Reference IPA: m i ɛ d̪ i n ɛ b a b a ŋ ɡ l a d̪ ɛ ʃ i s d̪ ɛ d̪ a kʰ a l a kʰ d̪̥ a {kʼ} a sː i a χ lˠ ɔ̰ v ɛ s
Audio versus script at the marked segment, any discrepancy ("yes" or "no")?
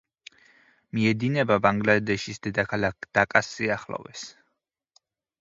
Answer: no